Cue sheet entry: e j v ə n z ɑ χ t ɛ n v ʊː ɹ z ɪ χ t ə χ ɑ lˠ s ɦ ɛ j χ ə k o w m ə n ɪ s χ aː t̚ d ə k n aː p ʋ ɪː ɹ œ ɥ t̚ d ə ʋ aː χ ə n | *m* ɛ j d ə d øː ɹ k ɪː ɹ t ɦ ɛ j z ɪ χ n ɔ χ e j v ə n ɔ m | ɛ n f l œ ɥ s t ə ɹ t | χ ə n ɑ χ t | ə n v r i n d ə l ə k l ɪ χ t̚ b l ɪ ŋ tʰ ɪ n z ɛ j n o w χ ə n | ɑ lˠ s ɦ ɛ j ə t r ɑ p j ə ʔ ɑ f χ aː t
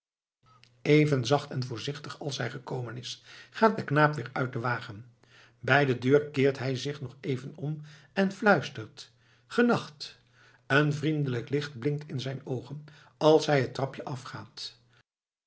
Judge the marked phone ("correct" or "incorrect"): incorrect